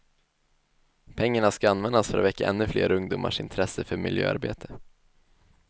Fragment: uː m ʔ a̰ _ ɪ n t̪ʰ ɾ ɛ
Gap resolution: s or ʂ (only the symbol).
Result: ʂ